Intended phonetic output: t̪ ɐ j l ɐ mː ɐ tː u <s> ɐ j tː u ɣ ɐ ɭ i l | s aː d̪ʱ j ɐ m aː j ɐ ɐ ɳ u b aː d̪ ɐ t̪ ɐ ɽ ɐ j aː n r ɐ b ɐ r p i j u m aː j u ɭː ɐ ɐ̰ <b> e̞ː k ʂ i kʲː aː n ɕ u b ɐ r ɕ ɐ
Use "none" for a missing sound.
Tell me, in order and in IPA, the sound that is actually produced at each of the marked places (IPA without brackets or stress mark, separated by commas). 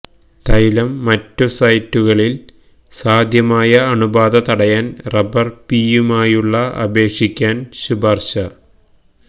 s, b